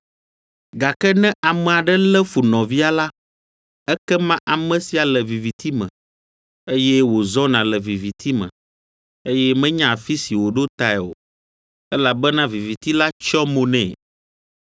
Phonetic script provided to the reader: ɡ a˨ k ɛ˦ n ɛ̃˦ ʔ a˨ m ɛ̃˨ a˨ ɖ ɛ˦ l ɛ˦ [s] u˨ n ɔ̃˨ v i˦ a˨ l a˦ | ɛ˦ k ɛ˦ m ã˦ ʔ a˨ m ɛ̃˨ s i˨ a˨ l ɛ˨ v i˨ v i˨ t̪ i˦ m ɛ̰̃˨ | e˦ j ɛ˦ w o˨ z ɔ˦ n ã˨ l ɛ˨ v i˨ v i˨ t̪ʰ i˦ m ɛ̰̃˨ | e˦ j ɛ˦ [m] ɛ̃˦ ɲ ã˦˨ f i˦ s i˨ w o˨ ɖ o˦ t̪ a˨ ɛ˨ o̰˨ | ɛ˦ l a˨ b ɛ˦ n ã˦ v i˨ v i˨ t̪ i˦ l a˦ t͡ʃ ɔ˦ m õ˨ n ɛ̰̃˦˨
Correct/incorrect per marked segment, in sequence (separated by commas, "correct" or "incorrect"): incorrect, correct